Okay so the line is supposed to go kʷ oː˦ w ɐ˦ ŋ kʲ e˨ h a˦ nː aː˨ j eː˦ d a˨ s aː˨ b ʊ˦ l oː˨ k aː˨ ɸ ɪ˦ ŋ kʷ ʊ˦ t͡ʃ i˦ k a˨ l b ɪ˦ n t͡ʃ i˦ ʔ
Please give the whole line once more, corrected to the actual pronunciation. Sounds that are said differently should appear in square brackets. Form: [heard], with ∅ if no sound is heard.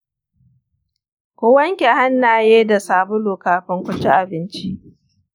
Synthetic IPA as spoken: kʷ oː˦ w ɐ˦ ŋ kʲ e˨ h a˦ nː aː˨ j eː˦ d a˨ s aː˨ b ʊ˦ l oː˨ k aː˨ ɸ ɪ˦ ŋ kʷ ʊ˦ t͡ʃ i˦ [ʔ] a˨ [∅] b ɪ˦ n t͡ʃ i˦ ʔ